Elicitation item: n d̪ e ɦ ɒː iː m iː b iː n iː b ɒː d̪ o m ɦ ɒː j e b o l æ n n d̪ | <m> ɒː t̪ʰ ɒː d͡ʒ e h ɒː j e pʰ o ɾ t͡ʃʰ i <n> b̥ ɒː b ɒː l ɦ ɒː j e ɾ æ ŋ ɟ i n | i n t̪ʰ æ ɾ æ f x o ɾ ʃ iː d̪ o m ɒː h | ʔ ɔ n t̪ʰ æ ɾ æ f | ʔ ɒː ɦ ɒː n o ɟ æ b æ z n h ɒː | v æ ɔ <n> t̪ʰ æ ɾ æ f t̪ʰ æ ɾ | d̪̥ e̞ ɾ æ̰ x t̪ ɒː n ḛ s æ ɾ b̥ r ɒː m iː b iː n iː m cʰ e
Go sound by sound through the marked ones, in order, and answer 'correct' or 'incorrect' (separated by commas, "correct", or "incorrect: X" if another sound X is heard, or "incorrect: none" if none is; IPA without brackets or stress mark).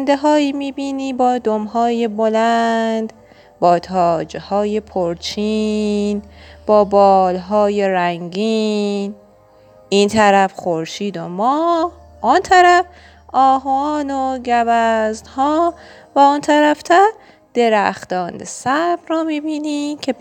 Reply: incorrect: b, correct, correct